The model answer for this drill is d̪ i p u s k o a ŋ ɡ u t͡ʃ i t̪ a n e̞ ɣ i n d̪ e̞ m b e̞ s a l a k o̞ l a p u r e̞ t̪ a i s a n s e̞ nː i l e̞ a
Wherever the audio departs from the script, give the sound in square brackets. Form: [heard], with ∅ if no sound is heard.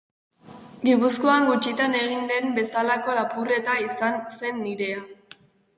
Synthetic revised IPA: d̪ i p u s k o a ŋ ɡ u t͡ʃ i t̪ a n e̞ ɣ i n d̪ e̞ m b e̞ s a l a k o̞ l a p u r e̞ t̪ a i s a n s e̞ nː i [ɾ] e̞ a